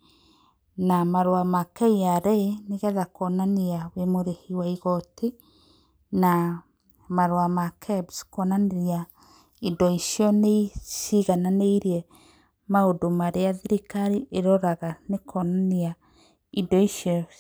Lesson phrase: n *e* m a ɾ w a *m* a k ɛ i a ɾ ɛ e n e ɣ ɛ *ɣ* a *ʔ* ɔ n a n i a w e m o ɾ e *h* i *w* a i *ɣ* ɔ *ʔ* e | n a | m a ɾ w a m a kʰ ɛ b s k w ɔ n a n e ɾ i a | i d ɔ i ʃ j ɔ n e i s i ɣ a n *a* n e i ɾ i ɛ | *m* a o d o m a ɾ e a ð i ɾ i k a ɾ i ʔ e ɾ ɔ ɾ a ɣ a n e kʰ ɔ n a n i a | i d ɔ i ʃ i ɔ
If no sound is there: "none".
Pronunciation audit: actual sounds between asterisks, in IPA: a, m, ð, k, h, w, ɣ, t, a, m

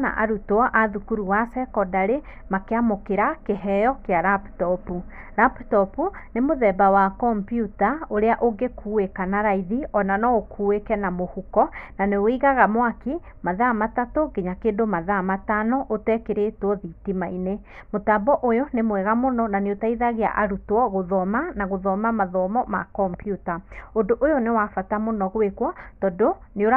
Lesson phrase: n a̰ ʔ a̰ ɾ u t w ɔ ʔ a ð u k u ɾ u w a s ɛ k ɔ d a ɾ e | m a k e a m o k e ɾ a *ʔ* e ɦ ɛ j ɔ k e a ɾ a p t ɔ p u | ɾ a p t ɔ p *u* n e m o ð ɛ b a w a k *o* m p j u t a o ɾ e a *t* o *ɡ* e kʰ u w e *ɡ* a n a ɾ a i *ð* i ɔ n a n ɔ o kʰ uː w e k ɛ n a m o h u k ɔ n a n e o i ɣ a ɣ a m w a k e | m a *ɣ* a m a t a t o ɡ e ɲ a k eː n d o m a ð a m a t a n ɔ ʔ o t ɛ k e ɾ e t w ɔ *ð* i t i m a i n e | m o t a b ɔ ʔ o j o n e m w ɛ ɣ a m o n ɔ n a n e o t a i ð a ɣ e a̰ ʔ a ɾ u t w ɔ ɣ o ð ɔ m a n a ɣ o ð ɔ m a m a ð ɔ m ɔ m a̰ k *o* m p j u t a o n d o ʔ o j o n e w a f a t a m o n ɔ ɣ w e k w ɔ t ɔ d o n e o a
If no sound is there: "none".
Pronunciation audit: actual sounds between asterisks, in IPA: k, u, ɔ, ʔ, ɡ, k, ð, ð, ð, ɔ

